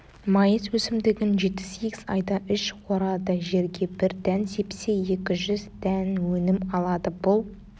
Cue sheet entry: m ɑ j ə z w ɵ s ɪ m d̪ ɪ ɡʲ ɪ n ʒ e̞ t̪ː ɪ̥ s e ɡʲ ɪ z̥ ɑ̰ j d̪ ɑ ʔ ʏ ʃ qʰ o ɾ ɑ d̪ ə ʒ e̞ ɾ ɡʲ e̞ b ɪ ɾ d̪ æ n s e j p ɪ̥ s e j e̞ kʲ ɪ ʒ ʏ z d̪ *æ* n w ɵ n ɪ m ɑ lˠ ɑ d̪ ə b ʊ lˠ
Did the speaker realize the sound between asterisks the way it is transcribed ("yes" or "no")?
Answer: yes